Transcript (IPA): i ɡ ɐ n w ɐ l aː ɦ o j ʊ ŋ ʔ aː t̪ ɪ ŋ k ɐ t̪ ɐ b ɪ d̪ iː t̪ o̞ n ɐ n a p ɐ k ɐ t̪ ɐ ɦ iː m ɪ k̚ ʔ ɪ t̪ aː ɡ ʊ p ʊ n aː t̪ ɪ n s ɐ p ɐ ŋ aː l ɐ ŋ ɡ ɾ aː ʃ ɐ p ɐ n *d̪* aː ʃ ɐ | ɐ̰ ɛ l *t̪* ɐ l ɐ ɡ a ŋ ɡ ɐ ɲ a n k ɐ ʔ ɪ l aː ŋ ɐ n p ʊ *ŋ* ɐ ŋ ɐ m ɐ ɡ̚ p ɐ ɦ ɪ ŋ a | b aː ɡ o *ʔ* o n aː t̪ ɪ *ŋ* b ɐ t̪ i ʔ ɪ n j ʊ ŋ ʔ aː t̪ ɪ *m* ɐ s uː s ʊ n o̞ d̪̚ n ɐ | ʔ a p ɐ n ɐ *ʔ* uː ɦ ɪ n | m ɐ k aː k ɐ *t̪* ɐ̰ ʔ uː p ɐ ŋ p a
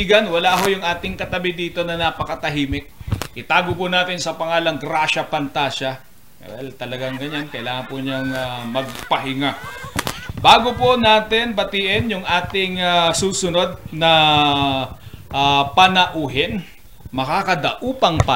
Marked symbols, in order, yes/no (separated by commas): no, yes, no, no, no, no, yes, no